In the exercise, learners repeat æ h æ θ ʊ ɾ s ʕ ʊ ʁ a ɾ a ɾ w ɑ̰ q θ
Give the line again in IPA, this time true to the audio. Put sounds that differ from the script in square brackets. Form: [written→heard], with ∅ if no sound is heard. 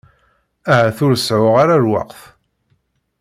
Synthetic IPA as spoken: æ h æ θ ʊ ɾ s ʕ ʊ ʁ a ɾ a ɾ w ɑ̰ q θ